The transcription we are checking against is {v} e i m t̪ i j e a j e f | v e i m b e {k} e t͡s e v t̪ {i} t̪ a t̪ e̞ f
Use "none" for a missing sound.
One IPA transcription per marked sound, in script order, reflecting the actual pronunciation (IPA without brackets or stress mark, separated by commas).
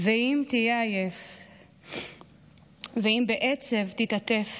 v, ʔ, i